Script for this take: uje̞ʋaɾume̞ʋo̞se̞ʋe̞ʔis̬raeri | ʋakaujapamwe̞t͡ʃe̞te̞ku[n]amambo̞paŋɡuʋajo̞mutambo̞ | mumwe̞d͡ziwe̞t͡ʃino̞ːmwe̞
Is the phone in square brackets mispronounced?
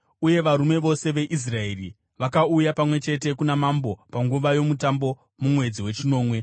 no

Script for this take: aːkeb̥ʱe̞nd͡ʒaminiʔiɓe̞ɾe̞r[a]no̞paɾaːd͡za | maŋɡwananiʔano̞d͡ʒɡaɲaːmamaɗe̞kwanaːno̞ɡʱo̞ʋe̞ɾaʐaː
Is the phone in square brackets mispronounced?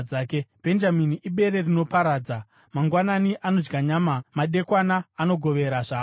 yes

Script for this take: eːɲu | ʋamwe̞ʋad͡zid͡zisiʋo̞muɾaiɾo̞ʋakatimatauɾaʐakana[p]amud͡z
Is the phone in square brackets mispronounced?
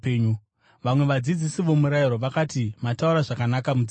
yes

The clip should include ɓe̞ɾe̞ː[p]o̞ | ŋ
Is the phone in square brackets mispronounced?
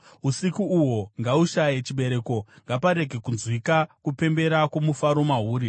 yes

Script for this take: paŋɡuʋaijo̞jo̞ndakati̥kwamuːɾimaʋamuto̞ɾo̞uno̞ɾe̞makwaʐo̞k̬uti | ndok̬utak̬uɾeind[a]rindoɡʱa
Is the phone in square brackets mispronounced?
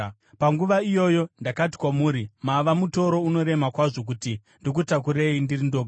yes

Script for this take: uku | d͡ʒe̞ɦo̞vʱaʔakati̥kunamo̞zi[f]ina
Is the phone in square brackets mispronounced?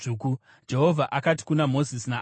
yes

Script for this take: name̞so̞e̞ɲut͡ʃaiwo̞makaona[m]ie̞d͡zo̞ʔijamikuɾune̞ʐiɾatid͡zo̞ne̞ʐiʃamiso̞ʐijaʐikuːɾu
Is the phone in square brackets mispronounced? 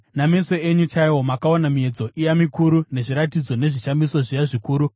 no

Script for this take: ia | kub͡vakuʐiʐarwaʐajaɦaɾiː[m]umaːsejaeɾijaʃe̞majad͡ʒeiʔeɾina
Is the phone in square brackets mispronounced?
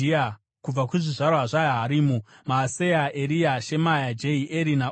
no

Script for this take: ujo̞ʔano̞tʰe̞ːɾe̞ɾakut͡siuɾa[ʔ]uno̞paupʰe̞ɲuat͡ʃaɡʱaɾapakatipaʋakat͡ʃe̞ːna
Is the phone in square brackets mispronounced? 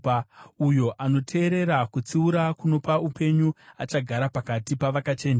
yes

